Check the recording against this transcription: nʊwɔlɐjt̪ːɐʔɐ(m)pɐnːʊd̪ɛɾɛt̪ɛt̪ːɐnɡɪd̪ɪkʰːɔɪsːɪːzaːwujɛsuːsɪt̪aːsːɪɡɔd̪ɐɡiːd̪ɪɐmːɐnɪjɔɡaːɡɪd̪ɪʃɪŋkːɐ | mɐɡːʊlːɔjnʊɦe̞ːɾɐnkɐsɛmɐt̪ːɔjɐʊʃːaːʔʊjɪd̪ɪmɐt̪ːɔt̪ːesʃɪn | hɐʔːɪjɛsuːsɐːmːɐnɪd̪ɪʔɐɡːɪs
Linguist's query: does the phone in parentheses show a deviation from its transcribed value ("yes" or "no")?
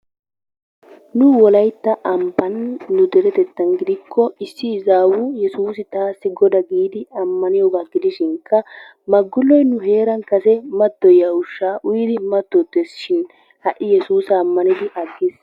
no